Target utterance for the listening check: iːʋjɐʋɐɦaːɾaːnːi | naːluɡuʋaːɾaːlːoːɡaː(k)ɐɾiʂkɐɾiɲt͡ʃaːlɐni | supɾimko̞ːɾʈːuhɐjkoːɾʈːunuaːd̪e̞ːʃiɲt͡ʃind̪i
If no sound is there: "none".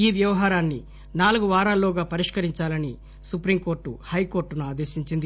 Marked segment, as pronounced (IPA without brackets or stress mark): p